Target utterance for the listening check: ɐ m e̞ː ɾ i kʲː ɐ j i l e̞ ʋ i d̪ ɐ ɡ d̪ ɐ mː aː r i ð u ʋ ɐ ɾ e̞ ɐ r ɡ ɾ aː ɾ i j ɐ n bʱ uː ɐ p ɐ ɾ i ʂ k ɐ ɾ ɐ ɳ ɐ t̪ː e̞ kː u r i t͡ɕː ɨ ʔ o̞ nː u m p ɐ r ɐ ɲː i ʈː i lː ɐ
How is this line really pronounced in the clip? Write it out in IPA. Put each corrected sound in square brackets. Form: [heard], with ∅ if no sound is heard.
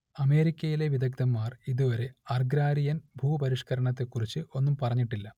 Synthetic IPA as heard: ɐ m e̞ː ɾ i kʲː ɐ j i l e̞ ʋ i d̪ ɐ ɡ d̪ ɐ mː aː r i ð u ʋ ɐ ɾ e̞ ɐ r ɡ ɾ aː ɾ i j ɐ n bʱ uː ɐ p ɐ ɾ i ʂ k ɐ ɾ ɐ ɳ ɐ t̪ː e̞ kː u r i t͡ɕː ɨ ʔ o̞ nː u m p ɐ r ɐ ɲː i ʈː i lː ɐ

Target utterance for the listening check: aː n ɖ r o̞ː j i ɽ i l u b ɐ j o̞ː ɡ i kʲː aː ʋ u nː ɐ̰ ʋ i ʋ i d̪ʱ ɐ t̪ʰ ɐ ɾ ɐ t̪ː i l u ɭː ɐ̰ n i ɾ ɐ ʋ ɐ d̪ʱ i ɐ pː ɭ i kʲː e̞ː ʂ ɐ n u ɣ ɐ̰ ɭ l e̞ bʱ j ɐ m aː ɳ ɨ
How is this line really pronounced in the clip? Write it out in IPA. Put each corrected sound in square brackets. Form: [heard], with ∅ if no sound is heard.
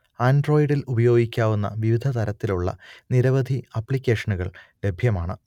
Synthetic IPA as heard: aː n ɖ r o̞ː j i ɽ i l u b ɐ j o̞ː ɡ i kʲː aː ʋ u nː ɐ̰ ʋ i ʋ i d̪ʱ ɐ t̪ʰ ɐ ɾ ɐ t̪ː i l u ɭː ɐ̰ n i ɾ ɐ ʋ ɐ d̪ʱ i ɐ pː ɭ i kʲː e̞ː ʂ ɐ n u ɣ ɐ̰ ɭ l e̞ bʱ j ɐ m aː ɳ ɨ

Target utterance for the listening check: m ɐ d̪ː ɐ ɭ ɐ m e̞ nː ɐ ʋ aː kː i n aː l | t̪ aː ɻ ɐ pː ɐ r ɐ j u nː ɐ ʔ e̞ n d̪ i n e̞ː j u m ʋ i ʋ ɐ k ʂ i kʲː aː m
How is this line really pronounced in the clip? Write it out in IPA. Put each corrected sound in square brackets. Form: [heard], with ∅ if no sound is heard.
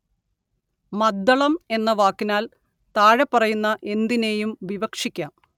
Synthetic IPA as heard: m ɐ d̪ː ɐ ɭ ɐ m e̞ nː ɐ ʋ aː kː i n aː l | t̪ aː ɻ ɐ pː ɐ r ɐ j u nː ɐ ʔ e̞ n d̪ i n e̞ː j u m ʋ i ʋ ɐ k ʂ i kʲː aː m

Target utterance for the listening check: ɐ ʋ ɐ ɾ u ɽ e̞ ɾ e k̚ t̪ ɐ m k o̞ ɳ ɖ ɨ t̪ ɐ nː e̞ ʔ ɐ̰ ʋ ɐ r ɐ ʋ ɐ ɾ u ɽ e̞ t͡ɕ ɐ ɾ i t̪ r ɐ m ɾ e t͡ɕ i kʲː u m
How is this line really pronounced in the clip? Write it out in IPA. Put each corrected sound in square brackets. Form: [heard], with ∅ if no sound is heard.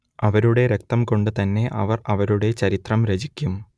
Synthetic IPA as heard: ɐ ʋ ɐ ɾ u ɽ e̞ ɾ e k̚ t̪ ɐ m k o̞ ɳ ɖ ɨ t̪ ɐ nː e̞ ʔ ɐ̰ ʋ ɐ r ɐ ʋ ɐ ɾ u ɽ e̞ t͡ɕ ɐ ɾ i t̪ r ɐ m ɾ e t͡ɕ i kʲː u m

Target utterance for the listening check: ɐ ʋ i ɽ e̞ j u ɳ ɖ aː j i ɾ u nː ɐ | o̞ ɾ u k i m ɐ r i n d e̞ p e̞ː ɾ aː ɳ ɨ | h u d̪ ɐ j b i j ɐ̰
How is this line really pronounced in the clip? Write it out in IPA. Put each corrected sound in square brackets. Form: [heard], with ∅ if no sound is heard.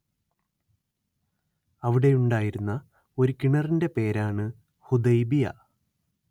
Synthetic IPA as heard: ɐ ʋ i ɽ e̞ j u ɳ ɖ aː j i ɾ u nː ɐ | o̞ ɾ u k i [ɳ] ɐ r i n d e̞ p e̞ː ɾ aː ɳ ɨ | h u d̪ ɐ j b i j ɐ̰

